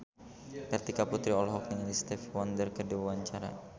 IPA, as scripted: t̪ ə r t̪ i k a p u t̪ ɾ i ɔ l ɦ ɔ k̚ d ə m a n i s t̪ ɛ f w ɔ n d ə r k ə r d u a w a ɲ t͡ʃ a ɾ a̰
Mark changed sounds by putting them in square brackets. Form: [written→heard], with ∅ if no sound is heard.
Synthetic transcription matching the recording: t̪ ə r t̪ i k a p u t̪ ɾ i ɔ l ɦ ɔ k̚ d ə [m→ŋ] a n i s t̪ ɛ f w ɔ n d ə r k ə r d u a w a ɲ t͡ʃ a ɾ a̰